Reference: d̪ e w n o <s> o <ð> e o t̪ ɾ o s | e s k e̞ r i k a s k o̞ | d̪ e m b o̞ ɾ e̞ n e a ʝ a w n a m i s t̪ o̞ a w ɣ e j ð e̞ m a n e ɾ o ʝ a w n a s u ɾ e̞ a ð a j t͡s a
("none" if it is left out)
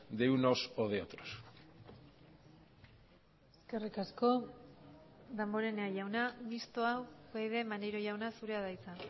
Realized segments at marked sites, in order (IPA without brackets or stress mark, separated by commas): s, ð